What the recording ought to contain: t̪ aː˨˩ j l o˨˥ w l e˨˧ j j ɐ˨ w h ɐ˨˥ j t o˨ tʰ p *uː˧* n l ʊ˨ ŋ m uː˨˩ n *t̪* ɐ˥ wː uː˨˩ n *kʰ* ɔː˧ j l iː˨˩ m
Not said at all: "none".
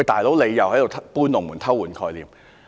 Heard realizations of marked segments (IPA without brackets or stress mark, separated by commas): uː˥, t̪ʰ, kʰ